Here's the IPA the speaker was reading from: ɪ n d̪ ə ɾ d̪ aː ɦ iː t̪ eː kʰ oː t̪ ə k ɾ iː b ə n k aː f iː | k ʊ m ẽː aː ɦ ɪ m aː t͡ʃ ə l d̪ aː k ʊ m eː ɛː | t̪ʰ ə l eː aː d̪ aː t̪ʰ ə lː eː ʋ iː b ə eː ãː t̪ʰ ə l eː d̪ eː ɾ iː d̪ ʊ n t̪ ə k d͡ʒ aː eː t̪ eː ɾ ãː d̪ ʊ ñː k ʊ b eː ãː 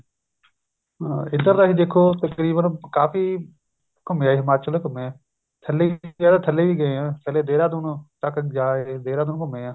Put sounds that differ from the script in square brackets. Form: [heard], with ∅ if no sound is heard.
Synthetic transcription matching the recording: ɪ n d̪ ə ɾ d̪ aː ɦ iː [d̪] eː kʰ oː t̪ ə k ɾ iː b ə n k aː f iː | k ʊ m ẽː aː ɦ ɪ m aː t͡ʃ ə l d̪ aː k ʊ m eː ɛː | t̪ʰ ə l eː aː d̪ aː t̪ʰ ə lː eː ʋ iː [ɡ] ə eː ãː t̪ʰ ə l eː d̪ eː ɾ [aː] d̪ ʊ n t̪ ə k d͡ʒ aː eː [d̪] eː ɾ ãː d̪ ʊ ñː k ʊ [m] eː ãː